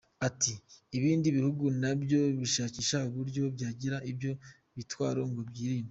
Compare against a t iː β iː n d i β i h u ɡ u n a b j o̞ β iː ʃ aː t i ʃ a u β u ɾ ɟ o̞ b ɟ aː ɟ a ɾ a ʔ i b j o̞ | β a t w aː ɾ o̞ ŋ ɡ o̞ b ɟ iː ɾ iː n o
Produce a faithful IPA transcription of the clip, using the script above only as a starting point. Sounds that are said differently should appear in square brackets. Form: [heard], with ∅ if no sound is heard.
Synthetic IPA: a t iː β iː n d i β i h u ɡ u n a b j o̞ β [i] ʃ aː [c] i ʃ a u β u ɾ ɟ o̞ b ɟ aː ɟ [i] ɾ a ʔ i b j o̞ | β [i] t w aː ɾ o̞ ŋ ɡ o̞ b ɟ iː ɾ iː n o